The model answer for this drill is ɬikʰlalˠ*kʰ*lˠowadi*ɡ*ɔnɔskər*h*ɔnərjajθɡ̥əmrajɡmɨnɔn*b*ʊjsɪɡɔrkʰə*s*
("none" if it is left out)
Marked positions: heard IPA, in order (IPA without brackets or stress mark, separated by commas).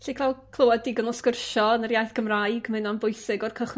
kʰ, ɡ, ʃ, b, χ